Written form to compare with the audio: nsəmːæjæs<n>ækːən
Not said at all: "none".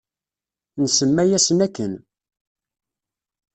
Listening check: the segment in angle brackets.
n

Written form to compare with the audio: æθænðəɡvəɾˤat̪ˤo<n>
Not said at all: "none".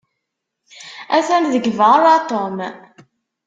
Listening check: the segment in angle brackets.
m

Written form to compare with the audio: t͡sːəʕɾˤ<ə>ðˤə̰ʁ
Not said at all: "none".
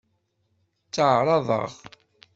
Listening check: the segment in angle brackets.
ɑ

